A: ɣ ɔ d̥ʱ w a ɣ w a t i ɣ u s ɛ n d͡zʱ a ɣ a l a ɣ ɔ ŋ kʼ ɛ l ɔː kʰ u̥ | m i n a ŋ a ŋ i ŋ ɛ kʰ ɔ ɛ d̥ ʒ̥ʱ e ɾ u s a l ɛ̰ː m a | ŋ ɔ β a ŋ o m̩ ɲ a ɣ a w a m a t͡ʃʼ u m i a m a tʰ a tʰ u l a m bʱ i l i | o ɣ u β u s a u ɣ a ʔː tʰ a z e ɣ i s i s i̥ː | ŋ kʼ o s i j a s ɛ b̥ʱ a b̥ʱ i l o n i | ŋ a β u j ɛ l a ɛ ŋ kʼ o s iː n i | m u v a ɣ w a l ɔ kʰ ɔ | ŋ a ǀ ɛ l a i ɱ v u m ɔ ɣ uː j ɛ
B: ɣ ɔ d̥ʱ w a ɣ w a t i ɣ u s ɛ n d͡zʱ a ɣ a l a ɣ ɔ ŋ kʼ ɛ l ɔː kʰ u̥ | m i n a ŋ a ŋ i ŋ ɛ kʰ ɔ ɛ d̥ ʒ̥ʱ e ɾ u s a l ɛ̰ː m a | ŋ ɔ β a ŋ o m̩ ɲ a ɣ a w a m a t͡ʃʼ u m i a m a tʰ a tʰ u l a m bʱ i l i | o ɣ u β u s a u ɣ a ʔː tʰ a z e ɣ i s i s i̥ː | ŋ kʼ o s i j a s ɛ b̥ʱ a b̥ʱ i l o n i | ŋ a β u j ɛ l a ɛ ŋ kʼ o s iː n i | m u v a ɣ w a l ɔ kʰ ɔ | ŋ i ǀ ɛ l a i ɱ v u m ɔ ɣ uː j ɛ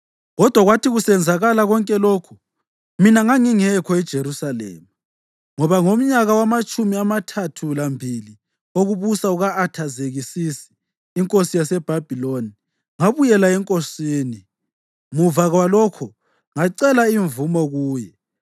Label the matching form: A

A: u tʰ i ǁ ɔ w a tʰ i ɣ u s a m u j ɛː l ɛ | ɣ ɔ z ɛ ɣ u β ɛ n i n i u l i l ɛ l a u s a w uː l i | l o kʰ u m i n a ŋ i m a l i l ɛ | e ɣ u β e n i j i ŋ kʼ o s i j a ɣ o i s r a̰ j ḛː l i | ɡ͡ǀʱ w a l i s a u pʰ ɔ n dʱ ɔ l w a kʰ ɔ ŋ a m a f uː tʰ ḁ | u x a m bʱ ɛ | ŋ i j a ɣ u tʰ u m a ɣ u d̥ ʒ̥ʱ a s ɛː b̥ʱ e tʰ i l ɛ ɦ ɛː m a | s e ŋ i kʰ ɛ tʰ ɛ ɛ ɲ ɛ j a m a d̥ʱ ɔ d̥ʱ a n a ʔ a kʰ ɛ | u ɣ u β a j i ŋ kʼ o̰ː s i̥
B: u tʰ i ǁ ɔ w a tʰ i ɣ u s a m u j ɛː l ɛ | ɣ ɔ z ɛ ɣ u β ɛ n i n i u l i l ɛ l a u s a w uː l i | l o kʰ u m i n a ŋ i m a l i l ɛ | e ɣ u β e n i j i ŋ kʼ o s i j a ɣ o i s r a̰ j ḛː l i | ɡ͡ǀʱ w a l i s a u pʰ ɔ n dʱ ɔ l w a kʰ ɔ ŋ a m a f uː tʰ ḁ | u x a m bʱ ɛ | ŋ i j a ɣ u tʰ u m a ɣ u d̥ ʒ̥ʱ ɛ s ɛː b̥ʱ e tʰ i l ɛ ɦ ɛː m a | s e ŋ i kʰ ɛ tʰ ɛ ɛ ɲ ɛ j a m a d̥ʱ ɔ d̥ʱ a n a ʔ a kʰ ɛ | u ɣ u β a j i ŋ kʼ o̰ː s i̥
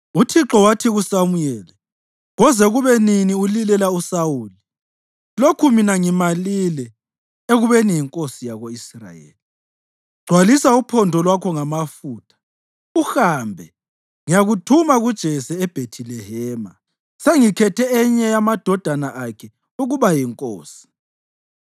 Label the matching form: B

